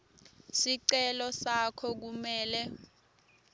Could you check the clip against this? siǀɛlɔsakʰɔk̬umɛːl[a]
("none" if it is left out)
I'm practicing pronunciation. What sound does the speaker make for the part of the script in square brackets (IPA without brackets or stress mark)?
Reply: ɛ